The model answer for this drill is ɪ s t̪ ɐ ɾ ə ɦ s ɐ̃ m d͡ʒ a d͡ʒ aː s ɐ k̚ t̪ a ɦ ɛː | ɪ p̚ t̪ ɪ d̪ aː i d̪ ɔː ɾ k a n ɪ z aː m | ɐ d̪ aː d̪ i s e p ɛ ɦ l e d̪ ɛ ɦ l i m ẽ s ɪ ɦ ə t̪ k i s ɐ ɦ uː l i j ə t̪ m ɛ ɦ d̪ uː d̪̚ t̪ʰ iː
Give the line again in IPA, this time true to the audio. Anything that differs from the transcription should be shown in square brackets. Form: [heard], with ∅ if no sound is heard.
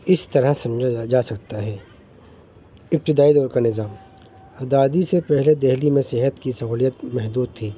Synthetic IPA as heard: ɪ s t̪ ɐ ɾ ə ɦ s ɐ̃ m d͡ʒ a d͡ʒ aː s ɐ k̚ t̪ a ɦ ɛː | ɪ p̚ t̪ ɪ d̪ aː i d̪ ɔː ɾ k a n ɪ z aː m | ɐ d̪ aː d̪ i s e p ɛ ɦ l e d̪ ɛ ɦ l i m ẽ s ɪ ɦ ə t̪ k i s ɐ ɦ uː l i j ə t̪ m ɛ ɦ d̪ uː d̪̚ t̪ʰ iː